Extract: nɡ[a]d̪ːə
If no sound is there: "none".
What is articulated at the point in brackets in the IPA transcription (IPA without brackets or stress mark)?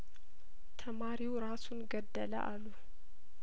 ə